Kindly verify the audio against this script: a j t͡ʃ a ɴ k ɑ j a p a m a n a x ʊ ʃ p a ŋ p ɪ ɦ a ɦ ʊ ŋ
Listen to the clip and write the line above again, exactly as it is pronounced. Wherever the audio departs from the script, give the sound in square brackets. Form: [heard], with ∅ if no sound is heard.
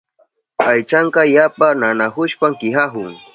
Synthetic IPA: a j t͡ʃ a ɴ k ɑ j a p a [n] a n a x ʊ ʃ p a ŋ [k] ɪ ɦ a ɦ ʊ ŋ